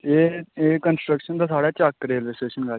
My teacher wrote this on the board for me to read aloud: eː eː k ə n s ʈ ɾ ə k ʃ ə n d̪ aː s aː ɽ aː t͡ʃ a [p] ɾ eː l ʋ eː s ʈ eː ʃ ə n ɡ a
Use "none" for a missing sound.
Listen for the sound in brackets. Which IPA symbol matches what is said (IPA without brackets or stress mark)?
k